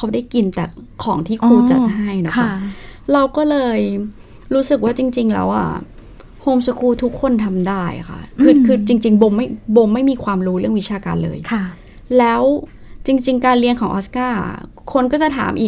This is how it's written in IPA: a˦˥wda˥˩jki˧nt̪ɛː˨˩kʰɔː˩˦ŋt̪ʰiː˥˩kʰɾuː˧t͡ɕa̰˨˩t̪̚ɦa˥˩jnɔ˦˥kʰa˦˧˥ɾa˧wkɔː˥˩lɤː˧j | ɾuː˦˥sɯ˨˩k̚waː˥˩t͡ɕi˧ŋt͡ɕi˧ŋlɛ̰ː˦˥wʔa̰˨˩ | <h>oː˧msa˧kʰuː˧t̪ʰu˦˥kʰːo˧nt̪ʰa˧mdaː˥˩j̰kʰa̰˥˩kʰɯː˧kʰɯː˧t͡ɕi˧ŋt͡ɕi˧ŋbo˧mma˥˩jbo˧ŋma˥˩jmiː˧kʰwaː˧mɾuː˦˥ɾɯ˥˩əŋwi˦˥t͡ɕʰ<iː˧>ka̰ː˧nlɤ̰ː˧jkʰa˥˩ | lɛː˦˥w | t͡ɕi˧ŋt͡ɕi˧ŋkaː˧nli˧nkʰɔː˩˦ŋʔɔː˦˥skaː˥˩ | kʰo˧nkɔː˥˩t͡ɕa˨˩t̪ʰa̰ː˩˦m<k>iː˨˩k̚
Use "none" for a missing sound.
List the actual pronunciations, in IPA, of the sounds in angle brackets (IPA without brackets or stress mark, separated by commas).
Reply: h, aː˧, ʔ